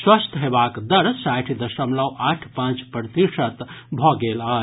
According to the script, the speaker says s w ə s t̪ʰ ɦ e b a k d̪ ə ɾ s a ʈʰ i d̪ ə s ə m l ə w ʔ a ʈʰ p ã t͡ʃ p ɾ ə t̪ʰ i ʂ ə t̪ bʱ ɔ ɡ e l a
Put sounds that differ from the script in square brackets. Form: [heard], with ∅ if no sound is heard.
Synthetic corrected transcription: s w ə s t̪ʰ ɦ e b a k d̪ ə ɾ s a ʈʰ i d̪ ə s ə m l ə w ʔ a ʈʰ p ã t͡ʃ p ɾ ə [t̪] i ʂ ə t̪ bʱ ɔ ɡ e l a